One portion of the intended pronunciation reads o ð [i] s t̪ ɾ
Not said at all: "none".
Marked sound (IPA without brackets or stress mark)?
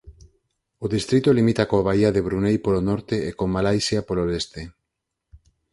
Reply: i